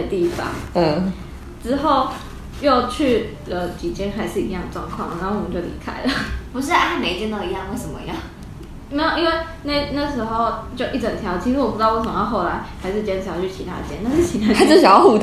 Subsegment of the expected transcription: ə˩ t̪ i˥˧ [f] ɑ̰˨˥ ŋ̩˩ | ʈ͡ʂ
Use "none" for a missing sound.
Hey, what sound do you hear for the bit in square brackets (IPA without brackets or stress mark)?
f